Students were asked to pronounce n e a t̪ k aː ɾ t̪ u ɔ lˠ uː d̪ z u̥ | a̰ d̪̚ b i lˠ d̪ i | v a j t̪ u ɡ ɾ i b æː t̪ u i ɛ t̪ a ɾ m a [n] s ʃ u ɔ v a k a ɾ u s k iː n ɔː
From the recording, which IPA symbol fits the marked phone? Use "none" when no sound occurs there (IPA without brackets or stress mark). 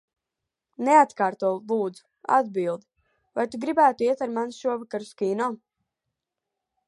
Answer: n